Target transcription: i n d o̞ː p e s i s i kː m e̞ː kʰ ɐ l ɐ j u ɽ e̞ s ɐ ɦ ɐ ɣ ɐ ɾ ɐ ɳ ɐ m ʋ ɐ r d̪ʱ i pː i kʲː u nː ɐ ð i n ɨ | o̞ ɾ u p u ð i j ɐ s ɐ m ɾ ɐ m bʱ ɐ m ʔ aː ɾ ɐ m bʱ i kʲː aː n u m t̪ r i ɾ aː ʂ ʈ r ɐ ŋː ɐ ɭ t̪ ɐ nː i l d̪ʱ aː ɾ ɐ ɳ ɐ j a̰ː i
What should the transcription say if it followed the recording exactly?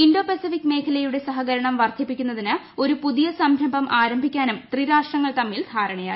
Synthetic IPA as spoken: i n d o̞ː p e s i f i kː m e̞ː kʰ ɐ l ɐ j u ɽ e̞ s ɐ ɦ ɐ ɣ ɐ ɾ ɐ ɳ ɐ m ʋ ɐ r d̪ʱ i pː i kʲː u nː ɐ ð i n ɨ | o̞ ɾ u p u ð i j ɐ s ɐ m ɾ ɐ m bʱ ɐ m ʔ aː ɾ ɐ m bʱ i kʲː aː n u m t̪ r i ɾ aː ʂ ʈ r ɐ ŋː ɐ ɭ t̪ ɐ mː i l d̪ʱ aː ɾ ɐ ɳ ɐ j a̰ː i